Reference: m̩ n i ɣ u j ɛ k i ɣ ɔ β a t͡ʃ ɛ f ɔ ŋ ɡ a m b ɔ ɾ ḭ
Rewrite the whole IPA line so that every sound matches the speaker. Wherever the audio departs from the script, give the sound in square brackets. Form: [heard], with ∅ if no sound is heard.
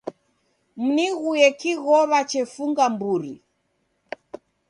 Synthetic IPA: m̩ n i ɣ u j ɛ k i ɣ ɔ β a t͡ʃ ɛ f [u] ŋ ɡ a m b [u] ɾ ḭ